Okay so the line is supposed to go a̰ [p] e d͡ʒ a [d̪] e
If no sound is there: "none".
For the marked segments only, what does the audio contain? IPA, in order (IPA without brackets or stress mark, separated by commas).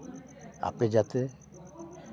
p, t̪